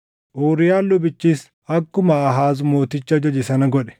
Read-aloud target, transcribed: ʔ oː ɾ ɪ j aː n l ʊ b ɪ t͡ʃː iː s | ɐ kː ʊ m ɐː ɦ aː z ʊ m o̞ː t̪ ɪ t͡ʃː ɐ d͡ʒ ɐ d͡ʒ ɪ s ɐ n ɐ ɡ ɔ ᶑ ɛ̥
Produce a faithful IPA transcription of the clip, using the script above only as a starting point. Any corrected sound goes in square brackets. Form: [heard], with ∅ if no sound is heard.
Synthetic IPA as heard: ʔ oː ɾ ɪ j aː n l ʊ b ɪ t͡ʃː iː s | ɐ kː ʊ m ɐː ɦ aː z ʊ m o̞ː t̪ ɪ t͡ʃː ɐ d͡ʒ ɐ d͡ʒ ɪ s ɐ n ɐ ɡ ɔ ᶑ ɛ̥